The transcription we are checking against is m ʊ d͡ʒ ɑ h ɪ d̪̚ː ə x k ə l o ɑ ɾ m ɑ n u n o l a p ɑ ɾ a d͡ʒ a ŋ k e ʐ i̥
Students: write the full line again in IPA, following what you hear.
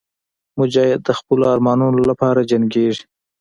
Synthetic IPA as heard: m ʊ d͡ʒ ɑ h ɪ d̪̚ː ə x p ə l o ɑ ɾ m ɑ n u n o l a p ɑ ɾ a d͡ʒ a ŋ ɡ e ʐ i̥